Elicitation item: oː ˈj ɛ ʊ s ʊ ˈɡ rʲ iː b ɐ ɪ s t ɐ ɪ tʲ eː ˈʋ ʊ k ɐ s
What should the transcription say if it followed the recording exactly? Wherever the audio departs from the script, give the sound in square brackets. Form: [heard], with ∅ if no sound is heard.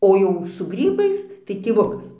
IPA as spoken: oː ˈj ɛ ʊ s ʊ ˈɡ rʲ iː b ɐ ɪ s t ɐ ɪ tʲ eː ˈʋ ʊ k ɐ s